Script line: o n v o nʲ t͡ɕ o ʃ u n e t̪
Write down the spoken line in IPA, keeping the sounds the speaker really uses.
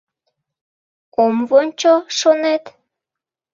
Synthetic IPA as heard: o m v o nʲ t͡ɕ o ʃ o n e t̪